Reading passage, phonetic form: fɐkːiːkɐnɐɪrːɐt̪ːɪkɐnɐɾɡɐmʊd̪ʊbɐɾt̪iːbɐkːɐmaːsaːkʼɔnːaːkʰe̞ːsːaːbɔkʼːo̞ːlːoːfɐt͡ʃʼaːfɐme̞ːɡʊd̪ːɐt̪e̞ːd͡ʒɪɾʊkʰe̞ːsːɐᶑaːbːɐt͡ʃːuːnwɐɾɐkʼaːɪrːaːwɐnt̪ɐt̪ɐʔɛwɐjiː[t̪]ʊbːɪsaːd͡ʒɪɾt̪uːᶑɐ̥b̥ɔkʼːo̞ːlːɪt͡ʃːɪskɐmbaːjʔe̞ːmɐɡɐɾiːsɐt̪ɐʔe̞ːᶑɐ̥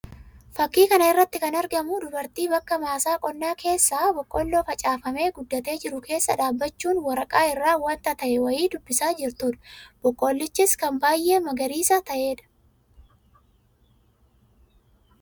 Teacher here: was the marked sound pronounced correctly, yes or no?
no